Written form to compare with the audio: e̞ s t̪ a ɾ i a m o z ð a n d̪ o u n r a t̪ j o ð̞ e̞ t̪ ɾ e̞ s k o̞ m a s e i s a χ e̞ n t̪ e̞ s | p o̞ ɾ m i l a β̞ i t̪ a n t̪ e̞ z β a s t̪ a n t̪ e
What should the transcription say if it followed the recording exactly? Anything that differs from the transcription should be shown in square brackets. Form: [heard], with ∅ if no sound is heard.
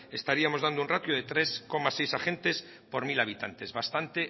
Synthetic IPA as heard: e̞ s t̪ a ɾ i a m o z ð a n d̪ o u n r a t̪ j o ð̞ e̞ t̪ ɾ e̞ s k o̞ m a s e [j] s a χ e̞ n t̪ e̞ s | p o̞ ɾ m i l a β̞ i t̪ a n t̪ e̞ z β a s t̪ a n t̪ e